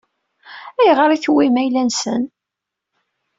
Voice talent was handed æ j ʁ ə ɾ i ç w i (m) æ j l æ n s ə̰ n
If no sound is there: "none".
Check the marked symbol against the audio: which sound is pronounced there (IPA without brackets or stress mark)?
m